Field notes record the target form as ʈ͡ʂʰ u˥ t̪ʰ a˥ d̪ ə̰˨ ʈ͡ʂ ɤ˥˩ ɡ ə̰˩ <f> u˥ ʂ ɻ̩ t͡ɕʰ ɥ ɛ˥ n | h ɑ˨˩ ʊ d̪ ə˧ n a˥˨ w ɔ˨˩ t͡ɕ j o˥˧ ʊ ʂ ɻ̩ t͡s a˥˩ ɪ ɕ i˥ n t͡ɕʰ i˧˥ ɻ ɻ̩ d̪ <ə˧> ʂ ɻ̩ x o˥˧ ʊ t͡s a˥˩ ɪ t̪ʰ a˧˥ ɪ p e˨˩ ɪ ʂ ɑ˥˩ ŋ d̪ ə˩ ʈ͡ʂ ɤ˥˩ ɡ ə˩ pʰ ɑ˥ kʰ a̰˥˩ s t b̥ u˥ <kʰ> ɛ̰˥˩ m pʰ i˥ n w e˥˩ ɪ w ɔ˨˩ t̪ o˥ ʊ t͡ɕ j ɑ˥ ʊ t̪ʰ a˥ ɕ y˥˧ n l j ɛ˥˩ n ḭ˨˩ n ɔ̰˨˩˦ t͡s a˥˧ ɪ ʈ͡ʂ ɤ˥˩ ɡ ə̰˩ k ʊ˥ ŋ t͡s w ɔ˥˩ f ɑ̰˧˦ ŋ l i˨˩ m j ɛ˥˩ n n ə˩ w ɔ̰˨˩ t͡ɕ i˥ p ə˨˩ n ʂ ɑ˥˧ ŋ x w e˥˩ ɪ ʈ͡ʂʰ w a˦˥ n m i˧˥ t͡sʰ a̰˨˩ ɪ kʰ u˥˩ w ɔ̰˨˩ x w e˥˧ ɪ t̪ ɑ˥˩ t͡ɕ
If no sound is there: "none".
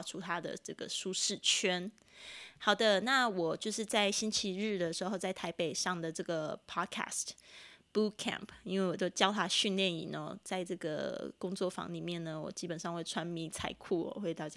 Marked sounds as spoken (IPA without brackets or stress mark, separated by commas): ʂ, ə˩, kʰ